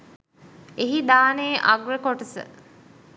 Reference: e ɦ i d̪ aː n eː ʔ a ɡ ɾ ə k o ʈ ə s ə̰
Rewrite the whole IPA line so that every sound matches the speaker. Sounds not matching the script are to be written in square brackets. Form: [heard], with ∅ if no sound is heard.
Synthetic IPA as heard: e ɦ i d̪ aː n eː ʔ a ɡ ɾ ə k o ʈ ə s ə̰